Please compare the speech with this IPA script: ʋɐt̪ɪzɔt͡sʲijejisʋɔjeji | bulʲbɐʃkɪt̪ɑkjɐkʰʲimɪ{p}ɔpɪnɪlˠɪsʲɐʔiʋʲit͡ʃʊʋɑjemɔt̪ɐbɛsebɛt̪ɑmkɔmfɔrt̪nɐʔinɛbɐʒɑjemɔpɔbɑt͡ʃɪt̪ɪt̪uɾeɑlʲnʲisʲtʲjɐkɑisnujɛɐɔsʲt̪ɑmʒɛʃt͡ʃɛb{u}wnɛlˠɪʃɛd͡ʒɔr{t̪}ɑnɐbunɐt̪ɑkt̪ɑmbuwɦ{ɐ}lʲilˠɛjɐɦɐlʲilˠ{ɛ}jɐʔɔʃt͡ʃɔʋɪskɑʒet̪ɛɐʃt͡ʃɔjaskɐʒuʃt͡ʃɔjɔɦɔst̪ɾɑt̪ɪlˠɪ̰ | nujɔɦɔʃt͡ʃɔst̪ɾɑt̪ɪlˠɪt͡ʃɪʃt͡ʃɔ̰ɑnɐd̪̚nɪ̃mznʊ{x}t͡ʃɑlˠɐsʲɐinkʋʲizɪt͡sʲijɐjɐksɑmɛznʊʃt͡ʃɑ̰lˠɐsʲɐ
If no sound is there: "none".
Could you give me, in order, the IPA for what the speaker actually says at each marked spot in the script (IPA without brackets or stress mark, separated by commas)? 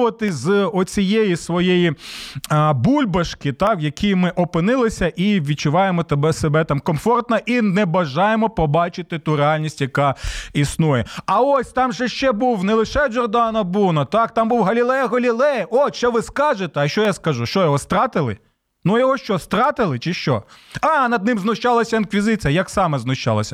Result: ʔ, u, d̪, ɐ, ɛ, ʃ